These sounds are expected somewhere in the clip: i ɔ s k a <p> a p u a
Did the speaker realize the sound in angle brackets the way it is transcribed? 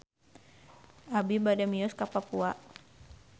yes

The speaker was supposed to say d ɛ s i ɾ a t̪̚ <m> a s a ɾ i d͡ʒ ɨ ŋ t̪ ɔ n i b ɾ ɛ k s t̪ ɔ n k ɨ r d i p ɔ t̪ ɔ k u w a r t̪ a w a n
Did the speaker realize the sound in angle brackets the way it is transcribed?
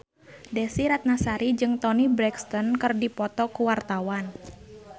no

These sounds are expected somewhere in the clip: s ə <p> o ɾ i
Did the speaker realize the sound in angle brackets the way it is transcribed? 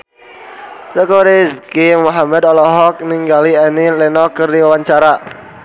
no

